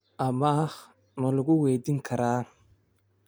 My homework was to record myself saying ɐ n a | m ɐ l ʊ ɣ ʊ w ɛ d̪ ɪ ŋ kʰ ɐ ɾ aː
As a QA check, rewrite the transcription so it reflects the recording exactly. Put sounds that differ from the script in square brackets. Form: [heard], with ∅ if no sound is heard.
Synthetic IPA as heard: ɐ [m] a | m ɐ l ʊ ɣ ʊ w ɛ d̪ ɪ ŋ kʰ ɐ ɾ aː